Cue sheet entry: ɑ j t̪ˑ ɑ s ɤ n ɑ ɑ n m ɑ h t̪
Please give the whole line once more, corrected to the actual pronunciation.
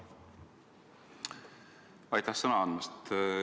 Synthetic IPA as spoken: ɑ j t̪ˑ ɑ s ɤ n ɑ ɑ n m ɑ s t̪